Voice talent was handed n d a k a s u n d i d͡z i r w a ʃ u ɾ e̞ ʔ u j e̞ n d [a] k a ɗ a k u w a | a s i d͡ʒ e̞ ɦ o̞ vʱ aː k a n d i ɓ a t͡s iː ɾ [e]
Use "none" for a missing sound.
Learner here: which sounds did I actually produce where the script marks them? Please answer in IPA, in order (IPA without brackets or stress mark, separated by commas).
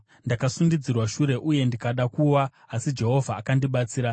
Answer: i, a